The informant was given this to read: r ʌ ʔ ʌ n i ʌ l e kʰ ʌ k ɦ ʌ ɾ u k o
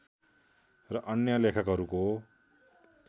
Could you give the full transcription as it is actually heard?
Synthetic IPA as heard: r ʌ ʔ ʌ n j ʌ l e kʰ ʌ k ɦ ʌ ɾ u k o